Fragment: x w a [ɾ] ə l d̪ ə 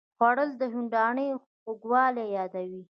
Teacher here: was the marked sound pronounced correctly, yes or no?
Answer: no